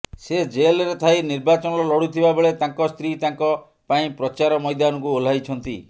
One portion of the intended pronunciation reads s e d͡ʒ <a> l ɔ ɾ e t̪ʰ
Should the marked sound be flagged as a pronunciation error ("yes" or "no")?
yes